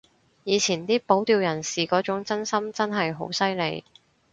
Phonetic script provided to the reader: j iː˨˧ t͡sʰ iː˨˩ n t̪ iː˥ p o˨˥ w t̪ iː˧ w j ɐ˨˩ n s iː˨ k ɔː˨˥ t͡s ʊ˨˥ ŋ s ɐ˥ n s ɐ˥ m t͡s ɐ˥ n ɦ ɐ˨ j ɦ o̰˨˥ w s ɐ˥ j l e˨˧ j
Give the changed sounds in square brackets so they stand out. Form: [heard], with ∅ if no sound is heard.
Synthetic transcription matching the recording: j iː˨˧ t͡sʰ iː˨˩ n t̪ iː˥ p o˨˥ w t̪ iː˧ w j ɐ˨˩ n s iː˨ k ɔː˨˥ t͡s ʊ˨˥ ŋ [t͡s] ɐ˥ n s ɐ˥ m t͡s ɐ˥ n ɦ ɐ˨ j ɦ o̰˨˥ w s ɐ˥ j l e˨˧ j